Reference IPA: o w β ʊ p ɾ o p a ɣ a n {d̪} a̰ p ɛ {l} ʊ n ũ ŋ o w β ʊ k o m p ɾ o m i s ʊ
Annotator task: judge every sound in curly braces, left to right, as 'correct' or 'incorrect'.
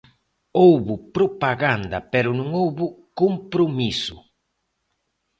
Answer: correct, incorrect: ɾ

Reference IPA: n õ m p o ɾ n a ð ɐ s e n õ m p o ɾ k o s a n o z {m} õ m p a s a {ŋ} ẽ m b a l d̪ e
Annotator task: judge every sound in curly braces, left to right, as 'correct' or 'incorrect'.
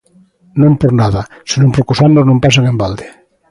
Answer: incorrect: n, correct

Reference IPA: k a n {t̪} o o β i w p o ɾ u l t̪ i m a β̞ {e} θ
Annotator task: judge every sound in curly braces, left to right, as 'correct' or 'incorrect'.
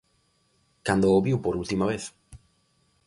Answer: incorrect: d̪, correct

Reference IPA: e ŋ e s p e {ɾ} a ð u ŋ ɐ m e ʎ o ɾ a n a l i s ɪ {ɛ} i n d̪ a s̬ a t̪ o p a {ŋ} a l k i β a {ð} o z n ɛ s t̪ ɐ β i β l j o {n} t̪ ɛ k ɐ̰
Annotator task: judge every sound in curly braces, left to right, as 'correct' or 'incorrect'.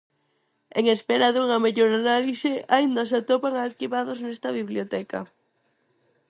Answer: correct, incorrect: a, correct, correct, incorrect: none

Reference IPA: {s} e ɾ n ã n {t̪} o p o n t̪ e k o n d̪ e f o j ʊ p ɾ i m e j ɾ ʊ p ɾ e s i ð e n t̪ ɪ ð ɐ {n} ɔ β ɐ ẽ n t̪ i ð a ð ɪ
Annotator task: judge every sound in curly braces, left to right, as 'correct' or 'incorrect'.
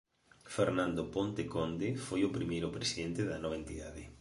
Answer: incorrect: f, incorrect: d̪, correct

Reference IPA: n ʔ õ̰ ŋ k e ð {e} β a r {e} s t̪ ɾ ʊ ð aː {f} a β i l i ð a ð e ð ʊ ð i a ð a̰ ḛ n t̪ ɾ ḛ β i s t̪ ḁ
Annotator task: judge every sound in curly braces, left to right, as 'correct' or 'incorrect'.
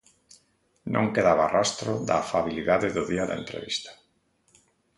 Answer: incorrect: a, incorrect: a, correct

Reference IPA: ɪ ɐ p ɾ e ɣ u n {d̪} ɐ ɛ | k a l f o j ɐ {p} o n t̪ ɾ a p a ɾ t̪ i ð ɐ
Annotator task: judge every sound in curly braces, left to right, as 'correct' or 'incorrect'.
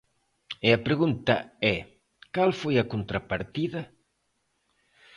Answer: incorrect: t̪, incorrect: k

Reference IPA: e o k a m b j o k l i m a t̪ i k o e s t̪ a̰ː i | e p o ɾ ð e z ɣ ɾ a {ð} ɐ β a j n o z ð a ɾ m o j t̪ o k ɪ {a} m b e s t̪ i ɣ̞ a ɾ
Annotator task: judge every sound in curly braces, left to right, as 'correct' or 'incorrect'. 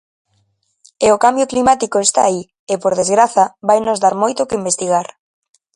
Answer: incorrect: θ, incorrect: i

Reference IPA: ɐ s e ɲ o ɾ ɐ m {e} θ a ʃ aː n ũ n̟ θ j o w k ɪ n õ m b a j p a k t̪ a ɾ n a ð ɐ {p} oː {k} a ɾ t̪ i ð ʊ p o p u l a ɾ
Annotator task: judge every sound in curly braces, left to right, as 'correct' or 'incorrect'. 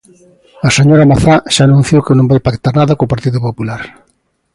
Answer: incorrect: a, incorrect: k, incorrect: p

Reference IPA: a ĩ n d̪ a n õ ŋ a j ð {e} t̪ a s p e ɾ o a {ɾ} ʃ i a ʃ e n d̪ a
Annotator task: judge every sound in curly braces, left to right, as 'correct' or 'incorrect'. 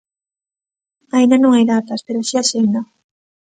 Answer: incorrect: a, incorrect: none

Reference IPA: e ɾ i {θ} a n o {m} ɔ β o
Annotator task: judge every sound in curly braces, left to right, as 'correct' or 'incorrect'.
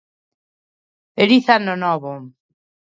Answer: correct, incorrect: n

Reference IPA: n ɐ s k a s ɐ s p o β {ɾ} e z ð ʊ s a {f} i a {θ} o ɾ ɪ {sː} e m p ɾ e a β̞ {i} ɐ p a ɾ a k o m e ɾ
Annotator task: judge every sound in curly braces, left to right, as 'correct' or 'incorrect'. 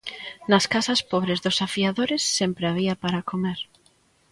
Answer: correct, correct, incorrect: ð, correct, correct

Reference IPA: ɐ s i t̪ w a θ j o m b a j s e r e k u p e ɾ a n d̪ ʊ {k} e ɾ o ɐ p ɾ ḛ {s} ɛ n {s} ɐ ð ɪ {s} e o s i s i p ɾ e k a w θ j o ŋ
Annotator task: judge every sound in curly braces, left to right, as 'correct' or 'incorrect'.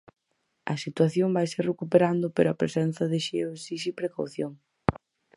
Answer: incorrect: p, correct, incorrect: θ, incorrect: ʃ

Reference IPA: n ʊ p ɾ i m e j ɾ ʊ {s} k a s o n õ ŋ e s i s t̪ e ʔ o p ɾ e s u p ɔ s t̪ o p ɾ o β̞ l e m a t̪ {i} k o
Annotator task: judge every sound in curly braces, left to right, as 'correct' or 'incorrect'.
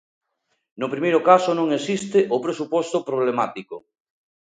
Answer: incorrect: none, correct

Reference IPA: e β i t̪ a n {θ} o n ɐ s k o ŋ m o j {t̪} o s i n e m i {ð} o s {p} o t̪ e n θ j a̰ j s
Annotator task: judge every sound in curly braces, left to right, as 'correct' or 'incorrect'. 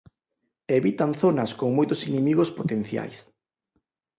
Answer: correct, correct, incorrect: ɣ, correct

